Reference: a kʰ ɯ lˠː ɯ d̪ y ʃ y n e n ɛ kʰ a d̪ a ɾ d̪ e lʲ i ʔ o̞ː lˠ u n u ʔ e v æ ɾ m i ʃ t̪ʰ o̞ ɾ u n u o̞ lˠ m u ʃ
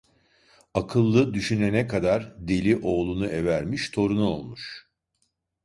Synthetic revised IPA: a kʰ ɯ lˠː ɯ d̪ y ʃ y n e n ɛ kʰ a d̪ a ɾ d̪ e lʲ i ʔ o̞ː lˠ u n u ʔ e v æ ɾ m i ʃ t̪ʰ o̞ ɾ u n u o̞ lˠ m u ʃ